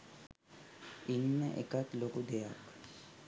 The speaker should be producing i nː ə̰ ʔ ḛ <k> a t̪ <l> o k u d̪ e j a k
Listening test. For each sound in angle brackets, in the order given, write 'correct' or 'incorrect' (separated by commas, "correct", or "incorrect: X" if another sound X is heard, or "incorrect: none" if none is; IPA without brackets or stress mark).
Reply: correct, correct